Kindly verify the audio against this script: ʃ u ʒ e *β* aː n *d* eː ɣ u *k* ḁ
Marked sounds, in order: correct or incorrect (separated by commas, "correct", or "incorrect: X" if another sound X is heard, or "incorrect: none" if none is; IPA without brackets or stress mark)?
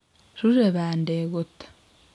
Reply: correct, correct, incorrect: t